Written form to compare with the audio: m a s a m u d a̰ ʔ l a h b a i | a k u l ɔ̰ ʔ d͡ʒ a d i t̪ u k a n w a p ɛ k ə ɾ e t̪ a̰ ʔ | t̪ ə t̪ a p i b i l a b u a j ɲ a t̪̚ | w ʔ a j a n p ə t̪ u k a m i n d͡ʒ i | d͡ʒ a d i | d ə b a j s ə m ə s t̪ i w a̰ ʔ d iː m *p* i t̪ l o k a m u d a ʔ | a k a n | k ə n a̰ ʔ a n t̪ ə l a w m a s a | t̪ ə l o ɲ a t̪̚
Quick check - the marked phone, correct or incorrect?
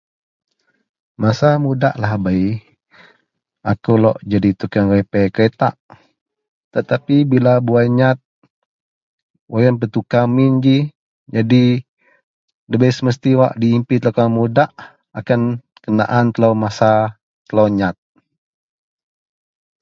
correct